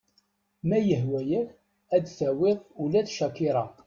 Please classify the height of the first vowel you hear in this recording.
low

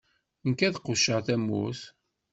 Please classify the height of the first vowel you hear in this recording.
low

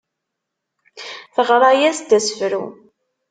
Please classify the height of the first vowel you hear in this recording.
mid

